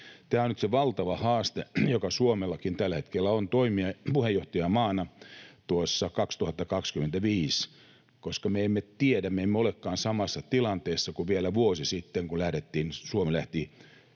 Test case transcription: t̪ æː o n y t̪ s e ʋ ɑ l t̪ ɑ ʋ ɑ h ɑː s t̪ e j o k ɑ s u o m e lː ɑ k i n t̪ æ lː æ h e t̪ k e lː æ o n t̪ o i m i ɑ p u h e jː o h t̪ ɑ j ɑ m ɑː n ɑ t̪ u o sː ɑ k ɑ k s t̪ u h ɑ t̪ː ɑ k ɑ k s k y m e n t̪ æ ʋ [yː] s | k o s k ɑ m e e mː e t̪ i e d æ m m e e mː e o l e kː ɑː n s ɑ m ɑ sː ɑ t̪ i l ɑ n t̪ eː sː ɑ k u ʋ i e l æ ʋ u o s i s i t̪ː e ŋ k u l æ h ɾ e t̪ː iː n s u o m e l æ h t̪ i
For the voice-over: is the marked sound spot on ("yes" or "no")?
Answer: no